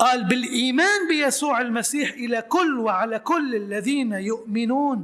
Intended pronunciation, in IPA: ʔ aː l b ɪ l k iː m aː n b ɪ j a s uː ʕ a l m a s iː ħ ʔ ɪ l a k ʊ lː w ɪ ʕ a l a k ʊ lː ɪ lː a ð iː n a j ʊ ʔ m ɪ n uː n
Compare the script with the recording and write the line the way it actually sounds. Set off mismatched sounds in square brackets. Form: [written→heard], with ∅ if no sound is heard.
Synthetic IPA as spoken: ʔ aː l b ɪ l [k→ʔ] iː m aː n b ɪ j a s uː ʕ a l m a s iː ħ ʔ ɪ l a k ʊ lː w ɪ ʕ a l a k ʊ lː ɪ lː a ð iː n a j ʊ ʔ m ɪ n uː n